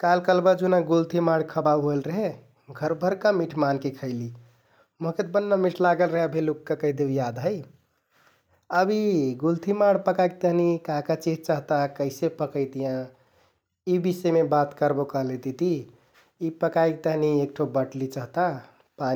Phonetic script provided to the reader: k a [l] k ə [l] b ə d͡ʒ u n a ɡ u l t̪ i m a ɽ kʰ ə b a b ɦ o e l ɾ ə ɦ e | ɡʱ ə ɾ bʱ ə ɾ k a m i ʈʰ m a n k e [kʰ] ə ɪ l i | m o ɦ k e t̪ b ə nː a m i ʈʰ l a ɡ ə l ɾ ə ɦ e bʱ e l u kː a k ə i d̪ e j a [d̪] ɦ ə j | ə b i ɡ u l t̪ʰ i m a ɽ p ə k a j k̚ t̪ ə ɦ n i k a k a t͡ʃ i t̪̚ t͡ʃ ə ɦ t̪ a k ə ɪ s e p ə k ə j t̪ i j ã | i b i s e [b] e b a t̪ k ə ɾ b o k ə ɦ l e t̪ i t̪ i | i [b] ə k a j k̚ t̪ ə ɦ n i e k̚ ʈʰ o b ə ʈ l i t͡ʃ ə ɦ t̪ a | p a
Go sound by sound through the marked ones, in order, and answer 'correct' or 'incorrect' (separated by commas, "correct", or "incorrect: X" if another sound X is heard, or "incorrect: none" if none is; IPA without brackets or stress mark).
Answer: correct, correct, correct, correct, incorrect: m, incorrect: p